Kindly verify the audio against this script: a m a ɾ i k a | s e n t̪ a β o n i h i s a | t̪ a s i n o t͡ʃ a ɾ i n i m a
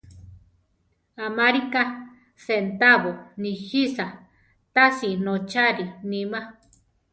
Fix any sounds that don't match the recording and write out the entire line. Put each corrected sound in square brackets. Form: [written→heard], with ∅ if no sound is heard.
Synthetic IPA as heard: a m a ɾ i k a | s e n t̪ a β o n i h i s a | t̪ a s i n o t͡ʃ a ɾ i n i m a